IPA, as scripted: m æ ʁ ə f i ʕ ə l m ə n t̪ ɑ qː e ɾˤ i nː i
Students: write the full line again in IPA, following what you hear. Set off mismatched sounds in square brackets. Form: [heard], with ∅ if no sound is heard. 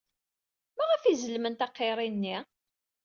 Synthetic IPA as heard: m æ ʁ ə f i [z] ə l m ə n t̪ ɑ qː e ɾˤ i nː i

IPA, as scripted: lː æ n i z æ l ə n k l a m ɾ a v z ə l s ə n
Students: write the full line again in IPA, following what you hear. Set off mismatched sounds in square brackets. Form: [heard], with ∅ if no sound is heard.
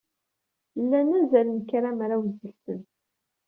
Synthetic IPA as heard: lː æ n [æ] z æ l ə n k [ɾ] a m ɾ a [w] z ə l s ə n

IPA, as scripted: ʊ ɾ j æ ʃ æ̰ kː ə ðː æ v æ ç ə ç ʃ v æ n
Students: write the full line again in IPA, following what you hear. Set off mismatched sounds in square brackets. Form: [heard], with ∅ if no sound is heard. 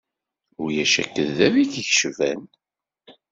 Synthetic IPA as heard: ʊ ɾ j æ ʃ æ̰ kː ə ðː æ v [i] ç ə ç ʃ v æ n

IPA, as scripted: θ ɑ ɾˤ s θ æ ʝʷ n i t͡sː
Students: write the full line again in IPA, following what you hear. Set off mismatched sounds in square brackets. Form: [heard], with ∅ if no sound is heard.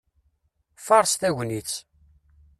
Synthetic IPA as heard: [f] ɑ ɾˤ s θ æ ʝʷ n i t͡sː

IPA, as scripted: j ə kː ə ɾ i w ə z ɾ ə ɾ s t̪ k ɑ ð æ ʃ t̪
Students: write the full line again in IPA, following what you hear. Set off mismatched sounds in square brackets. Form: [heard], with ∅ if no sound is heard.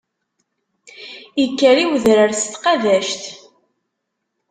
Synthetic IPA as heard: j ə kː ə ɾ i w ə [ð] ɾ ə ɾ s t̪ [q] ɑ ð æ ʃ t̪

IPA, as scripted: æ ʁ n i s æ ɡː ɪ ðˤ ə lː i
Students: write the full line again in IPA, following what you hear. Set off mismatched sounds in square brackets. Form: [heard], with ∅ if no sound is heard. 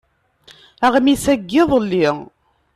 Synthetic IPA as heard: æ ʁ [m] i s æ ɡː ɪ ðˤ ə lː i

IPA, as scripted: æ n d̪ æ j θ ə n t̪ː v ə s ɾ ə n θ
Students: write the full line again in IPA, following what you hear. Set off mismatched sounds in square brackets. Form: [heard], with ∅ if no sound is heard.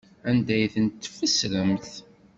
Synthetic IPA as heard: æ n d̪ æ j θ ə n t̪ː [f] ə s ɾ ə [m] θ

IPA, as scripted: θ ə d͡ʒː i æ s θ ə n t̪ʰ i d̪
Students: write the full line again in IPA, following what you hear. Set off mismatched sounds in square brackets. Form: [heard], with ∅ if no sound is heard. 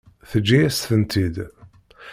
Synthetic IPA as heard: θ ə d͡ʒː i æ s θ ə n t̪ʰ i d̪

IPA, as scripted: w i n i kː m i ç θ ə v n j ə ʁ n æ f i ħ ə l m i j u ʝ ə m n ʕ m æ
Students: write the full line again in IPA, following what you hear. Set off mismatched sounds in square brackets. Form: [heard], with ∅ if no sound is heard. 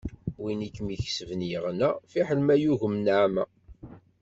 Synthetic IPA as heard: w i n i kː m i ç [s] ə v n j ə ʁ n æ f i ħ ə l m [æ] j u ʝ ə m n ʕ m æ

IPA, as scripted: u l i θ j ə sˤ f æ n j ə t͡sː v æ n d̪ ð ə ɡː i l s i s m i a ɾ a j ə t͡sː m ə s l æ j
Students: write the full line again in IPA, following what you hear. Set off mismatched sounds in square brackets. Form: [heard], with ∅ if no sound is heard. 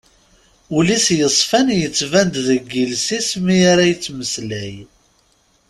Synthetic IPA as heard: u l i [s] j ə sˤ f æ n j ə t͡sː v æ n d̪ ð ə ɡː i l s i s m i a ɾ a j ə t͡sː m ə s l æ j

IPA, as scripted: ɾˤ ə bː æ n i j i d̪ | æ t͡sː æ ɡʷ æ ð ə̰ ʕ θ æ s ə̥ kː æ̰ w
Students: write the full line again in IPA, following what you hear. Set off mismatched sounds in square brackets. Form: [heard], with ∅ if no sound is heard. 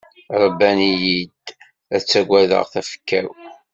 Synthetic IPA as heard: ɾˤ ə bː æ n i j i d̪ | æ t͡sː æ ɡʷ æ ð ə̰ [ʁ] θ æ [f] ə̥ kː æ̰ w

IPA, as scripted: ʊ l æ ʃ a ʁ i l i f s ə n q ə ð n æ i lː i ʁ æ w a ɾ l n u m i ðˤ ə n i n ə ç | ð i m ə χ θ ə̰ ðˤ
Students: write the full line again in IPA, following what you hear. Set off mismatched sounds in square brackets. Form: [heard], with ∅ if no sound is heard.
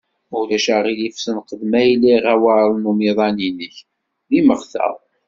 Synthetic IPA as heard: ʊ l æ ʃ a ʁ i l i f s ə n q ə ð [m] æ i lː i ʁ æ w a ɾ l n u m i ðˤ [ɑ] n i n ə ç | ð i m ə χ θ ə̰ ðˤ

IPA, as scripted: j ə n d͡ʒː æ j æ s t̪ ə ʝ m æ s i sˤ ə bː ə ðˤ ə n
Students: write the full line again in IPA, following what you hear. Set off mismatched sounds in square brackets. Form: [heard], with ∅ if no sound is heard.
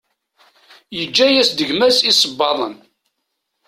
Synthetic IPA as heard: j ə [∅] d͡ʒː æ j æ s [d̪] ə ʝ m æ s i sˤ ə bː [ɑ] ðˤ ə n

